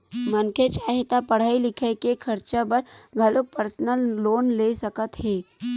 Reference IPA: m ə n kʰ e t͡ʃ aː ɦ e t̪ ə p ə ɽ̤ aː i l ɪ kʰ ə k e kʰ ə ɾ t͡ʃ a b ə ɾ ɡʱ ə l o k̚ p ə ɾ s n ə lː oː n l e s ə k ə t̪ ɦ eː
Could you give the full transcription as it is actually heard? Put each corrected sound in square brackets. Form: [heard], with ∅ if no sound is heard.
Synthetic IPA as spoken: m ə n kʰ e t͡ʃ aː ɦ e t̪ [a] p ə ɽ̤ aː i l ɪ kʰ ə k e kʰ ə ɾ t͡ʃ a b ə ɾ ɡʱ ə l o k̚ p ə ɾ s n ə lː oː n l e s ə k ə t̪ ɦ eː